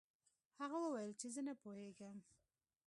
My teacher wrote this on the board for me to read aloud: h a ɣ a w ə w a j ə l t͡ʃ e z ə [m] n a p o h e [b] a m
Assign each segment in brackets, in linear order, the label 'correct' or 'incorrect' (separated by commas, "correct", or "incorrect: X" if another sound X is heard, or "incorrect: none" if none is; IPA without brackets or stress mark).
incorrect: none, incorrect: ɡ